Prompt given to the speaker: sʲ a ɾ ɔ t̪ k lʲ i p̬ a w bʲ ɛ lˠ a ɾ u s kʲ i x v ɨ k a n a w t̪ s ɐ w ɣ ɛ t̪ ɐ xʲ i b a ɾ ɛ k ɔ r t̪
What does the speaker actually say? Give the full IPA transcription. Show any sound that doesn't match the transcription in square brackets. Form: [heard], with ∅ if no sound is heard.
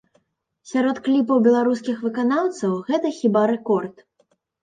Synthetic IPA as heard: sʲ a ɾ ɔ t̪ k lʲ i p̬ [ɐ] w bʲ ɛ lˠ a ɾ u s kʲ i x v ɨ k a n a w t̪ s ɐ w ɣ ɛ t̪ ɐ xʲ i b a ɾ ɛ k ɔ r t̪